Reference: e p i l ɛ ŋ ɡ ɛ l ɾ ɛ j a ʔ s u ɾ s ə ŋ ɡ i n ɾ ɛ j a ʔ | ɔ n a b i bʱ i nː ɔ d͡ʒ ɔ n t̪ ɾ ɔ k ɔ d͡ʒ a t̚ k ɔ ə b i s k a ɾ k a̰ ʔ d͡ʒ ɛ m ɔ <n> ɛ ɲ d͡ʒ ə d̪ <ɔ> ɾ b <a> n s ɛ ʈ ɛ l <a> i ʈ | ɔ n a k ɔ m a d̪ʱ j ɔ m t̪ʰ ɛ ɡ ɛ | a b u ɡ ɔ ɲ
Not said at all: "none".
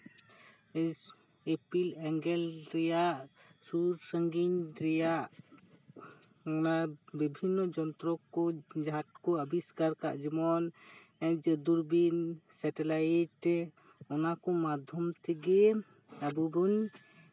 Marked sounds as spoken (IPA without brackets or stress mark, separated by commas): n, u, i, a